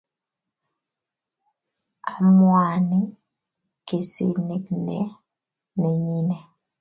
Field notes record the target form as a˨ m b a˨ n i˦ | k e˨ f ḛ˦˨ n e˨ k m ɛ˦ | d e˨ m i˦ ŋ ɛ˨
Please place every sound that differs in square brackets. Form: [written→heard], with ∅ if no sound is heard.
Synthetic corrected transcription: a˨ m [b→w] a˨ n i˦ | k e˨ [f→s] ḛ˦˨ n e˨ k [m→n] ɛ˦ | [d→n] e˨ [m→ɲ] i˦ [ŋ→n] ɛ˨